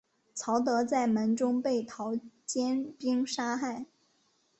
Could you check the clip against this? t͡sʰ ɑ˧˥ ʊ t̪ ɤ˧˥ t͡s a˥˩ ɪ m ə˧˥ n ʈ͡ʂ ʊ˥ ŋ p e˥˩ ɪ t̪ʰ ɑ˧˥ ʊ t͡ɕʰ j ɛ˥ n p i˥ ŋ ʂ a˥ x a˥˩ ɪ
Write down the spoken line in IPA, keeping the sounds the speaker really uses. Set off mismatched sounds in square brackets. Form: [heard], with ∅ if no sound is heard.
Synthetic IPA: t͡sʰ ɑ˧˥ ʊ t̪ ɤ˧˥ t͡s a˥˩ ɪ m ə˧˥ n ʈ͡ʂ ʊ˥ ŋ p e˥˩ ɪ t̪ʰ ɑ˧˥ ʊ [t͡ɕ] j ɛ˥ n p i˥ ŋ ʂ a˥ x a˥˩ ɪ

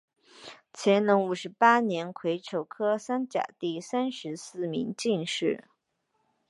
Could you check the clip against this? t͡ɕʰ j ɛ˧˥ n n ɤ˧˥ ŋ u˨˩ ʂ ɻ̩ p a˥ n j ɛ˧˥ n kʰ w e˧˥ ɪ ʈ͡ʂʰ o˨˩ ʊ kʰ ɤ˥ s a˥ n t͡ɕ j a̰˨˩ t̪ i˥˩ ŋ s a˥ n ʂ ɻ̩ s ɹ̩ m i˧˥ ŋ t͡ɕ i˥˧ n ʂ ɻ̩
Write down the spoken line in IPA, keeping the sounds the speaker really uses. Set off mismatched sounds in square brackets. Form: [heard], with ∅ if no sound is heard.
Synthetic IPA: t͡ɕʰ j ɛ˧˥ n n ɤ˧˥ ŋ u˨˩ ʂ ɻ̩ p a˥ n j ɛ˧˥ n kʰ w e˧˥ ɪ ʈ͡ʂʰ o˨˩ ʊ kʰ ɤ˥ s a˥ n t͡ɕ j a̰˨˩ t̪ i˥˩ [∅] s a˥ n ʂ ɻ̩ s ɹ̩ m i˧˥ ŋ t͡ɕ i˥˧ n ʂ ɻ̩

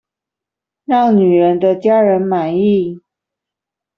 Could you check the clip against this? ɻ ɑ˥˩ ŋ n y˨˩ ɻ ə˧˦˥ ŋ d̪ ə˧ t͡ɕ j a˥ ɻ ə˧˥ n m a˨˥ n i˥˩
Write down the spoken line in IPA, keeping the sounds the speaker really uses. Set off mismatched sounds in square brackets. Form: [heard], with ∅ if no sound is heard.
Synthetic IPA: ɻ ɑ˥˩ ŋ n y˨˩ ɻ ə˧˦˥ [n] d̪ ə˧ t͡ɕ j a˥ ɻ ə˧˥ n m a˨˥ n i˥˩

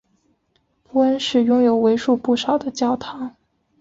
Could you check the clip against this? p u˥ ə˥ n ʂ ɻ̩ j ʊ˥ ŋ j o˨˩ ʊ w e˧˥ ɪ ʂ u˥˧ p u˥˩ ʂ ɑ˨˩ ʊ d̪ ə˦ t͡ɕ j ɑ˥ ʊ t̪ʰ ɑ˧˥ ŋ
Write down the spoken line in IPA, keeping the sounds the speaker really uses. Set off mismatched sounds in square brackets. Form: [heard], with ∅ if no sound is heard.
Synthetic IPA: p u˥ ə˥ n ʂ ɻ̩ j ʊ˥ ŋ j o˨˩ ʊ w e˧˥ ɪ ʂ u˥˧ p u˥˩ ʂ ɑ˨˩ ʊ d̪ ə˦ t͡ɕ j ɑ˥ ʊ t̪ʰ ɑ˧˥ ŋ

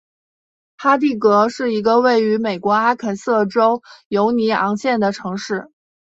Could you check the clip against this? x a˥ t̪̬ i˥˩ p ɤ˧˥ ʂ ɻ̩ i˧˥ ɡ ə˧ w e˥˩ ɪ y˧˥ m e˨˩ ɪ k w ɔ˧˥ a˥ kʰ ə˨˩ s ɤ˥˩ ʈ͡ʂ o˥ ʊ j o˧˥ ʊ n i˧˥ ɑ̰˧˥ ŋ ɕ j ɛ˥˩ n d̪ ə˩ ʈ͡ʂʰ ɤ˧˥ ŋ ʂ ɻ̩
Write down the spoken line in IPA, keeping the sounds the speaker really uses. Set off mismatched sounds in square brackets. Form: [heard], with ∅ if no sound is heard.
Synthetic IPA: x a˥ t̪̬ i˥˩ [k] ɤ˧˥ ʂ ɻ̩ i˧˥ ɡ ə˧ w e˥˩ ɪ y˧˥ m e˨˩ ɪ k w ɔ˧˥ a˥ kʰ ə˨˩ s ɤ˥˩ ʈ͡ʂ o˥ ʊ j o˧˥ ʊ n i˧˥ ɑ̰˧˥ ŋ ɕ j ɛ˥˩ n d̪ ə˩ ʈ͡ʂʰ ɤ˧˥ ŋ ʂ ɻ̩

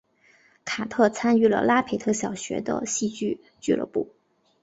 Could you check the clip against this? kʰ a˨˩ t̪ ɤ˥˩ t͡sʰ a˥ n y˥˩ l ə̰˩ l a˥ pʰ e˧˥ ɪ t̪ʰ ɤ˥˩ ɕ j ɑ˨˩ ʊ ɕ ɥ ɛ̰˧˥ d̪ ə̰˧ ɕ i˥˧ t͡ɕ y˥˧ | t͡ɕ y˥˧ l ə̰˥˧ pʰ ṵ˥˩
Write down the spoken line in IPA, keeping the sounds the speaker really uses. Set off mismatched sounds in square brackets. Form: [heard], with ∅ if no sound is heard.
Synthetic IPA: kʰ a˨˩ [t̪ʰ] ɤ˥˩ t͡sʰ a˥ n y˥˩ l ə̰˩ l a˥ pʰ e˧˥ ɪ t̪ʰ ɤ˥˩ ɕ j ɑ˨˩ ʊ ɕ ɥ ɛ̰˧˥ d̪ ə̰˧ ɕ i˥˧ t͡ɕ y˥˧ | t͡ɕ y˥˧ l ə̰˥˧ [p] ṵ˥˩

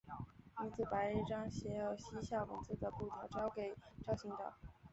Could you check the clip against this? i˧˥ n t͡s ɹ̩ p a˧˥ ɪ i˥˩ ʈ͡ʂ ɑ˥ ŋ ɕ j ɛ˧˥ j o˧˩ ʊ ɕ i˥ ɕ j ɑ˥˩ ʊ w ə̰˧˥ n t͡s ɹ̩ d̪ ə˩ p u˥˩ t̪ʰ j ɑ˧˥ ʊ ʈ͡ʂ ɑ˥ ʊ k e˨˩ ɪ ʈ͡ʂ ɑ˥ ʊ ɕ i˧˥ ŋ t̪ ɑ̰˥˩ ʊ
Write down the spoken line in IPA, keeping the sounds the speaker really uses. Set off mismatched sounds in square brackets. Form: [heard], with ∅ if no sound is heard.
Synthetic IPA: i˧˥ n t͡s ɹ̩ p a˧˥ ɪ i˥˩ ʈ͡ʂ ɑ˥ ŋ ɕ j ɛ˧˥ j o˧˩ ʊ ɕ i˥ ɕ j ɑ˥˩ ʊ w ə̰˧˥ n t͡s ɹ̩ d̪ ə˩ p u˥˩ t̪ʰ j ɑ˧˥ ʊ ʈ͡ʂ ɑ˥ ʊ k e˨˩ ɪ ʈ͡ʂ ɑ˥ ʊ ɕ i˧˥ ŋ t̪ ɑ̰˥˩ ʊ

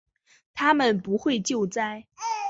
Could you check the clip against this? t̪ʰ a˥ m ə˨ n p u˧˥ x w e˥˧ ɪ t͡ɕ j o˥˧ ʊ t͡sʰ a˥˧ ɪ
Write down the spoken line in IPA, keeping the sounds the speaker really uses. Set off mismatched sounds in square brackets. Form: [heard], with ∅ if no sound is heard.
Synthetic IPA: t̪ʰ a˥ m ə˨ n p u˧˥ x w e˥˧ ɪ t͡ɕ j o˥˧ ʊ [t͡s] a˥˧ ɪ

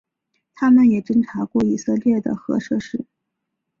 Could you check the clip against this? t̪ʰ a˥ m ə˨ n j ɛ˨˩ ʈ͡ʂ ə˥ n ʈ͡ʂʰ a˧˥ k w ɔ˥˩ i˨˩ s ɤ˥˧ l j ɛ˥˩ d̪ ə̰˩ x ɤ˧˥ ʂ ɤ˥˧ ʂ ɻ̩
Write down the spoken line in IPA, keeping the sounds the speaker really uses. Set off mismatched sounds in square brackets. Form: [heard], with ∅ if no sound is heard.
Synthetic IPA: t̪ʰ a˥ m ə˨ n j ɛ˨˩ ʈ͡ʂ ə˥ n ʈ͡ʂʰ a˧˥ k w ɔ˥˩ i˨˩ s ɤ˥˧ l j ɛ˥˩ d̪ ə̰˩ x ɤ˧˥ ʂ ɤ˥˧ ʂ ɻ̩

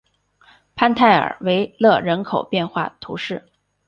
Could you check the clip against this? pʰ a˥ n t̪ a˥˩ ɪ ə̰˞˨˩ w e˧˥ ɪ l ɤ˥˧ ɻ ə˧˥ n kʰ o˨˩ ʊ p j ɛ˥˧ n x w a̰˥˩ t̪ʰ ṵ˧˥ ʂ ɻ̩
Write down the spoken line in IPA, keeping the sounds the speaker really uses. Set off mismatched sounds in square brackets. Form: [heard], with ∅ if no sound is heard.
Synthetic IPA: pʰ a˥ n [t̪ʰ] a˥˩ ɪ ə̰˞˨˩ w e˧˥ ɪ l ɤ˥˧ ɻ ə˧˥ n kʰ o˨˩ ʊ p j ɛ˥˧ n x w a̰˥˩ t̪ʰ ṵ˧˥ ʂ ɻ̩

